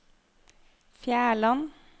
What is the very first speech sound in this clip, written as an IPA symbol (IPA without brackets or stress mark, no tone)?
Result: f